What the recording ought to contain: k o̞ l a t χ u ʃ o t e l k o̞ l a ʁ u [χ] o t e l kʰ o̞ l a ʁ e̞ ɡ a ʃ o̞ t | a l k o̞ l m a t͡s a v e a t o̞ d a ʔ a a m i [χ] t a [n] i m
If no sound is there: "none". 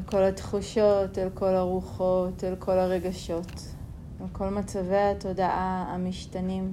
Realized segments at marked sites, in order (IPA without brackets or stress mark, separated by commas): χ, ʃ, n